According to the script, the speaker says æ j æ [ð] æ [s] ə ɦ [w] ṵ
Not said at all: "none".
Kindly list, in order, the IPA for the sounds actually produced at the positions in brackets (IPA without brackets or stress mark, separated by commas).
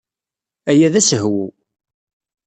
ð, s, w